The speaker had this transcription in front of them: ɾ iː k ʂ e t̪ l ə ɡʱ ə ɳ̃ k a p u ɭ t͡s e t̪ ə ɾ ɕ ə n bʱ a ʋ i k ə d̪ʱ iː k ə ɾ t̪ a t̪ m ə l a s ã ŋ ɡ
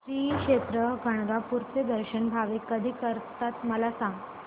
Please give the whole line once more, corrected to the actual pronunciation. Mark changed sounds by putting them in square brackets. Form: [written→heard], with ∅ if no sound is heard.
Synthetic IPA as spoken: ɾ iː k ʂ e t̪ [l→ɾ] ə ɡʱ ə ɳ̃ [k→ɡ] a p u [ɭ→ɾ] t͡s e [t̪→d̪] ə ɾ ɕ ə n bʱ a ʋ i k ə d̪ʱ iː k ə ɾ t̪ a t̪ m ə l a s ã ŋ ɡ